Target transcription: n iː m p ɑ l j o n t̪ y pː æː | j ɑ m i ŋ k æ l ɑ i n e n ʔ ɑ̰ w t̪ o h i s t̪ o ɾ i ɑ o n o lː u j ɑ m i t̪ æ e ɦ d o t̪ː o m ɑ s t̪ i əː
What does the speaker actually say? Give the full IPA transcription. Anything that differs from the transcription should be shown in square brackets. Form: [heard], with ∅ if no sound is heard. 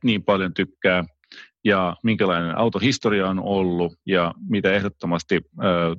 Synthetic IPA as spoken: n iː m p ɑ l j o n t̪ y [kː] æː | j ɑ m i ŋ k æ l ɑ i n e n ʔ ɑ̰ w t̪ o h i s t̪ o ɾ i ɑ o n o lː u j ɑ m i t̪ æ e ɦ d o t̪ː o m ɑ s t̪ i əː